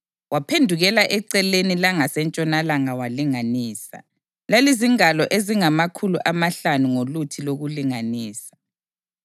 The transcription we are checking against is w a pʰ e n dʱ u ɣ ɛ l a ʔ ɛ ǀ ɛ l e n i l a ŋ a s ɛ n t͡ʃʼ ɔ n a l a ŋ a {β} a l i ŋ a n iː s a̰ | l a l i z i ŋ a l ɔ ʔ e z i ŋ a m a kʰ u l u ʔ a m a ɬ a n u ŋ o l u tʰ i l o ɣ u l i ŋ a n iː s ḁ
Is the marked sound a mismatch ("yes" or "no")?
yes